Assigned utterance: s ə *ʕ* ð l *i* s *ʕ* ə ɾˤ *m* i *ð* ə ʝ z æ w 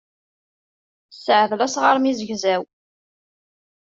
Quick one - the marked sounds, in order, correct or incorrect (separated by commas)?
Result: correct, incorrect, incorrect, correct, incorrect